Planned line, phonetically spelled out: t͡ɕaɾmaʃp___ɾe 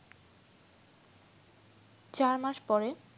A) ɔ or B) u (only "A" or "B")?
A